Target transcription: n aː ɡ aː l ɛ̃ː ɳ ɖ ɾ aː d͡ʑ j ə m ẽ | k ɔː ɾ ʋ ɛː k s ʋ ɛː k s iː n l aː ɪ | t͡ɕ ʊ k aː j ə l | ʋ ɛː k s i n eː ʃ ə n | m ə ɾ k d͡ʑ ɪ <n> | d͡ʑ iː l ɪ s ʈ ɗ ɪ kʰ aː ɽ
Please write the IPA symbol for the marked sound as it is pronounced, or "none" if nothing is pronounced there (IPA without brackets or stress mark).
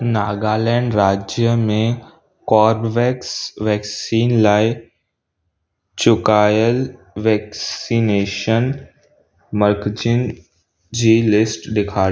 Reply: n